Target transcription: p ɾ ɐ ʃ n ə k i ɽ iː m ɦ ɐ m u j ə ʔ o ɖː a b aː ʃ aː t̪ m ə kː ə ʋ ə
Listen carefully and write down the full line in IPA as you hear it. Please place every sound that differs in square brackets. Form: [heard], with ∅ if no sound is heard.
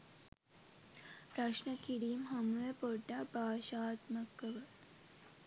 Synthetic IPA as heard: p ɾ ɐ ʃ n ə k i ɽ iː m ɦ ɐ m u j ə [p] o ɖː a b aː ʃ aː t̪ m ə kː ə ʋ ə